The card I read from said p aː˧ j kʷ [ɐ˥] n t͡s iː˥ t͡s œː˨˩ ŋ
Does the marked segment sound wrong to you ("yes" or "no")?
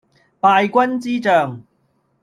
no